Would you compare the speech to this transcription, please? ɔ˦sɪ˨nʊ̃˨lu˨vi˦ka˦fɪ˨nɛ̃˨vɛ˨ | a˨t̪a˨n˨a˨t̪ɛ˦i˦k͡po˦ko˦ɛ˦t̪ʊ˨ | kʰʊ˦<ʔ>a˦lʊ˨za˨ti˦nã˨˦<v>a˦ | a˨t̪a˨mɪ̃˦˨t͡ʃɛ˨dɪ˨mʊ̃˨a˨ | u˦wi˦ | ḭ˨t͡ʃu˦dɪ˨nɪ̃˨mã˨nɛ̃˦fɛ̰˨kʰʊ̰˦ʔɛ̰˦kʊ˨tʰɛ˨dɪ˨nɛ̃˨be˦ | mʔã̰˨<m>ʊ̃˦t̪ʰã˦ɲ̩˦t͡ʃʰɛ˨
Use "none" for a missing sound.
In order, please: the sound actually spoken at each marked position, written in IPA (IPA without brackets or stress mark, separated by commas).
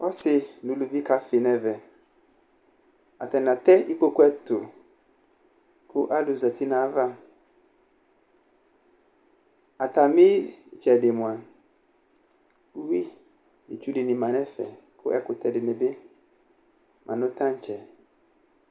ʔ, v, n